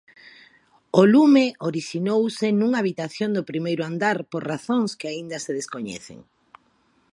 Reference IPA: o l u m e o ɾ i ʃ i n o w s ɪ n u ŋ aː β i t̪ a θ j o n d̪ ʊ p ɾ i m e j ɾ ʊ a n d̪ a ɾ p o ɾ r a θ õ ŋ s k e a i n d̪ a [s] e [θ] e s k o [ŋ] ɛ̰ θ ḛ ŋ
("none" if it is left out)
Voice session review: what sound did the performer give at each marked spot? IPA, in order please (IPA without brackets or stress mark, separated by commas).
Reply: s, ð, ɲ